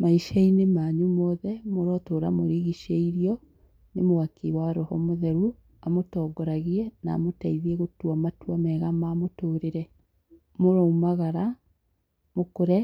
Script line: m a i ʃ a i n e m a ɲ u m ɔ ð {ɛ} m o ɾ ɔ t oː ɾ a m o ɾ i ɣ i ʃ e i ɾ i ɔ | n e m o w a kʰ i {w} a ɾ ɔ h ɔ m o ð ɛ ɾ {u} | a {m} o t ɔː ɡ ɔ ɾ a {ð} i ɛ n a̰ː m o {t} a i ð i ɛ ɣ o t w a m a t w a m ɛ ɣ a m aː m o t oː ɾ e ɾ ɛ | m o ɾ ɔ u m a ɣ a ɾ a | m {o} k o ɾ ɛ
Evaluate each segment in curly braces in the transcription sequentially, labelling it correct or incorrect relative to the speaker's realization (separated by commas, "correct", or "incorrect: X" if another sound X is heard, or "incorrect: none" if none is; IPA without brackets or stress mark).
correct, correct, correct, correct, incorrect: ɣ, correct, correct